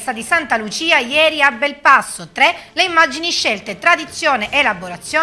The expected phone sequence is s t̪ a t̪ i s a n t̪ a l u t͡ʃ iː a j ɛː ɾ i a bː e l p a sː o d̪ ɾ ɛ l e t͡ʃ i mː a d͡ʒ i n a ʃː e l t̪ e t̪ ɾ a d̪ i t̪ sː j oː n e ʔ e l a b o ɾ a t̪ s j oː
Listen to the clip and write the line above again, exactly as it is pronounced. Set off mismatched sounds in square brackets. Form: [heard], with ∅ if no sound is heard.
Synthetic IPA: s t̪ a [d̪] i s a n t̪ a l u t͡ʃ iː a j ɛː ɾ i a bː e l p a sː o [t̪] ɾ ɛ l e [∅] i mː a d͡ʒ i n [i] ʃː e l t̪ e t̪ ɾ a d̪ i t̪ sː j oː n e ʔ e l a b o ɾ a t̪ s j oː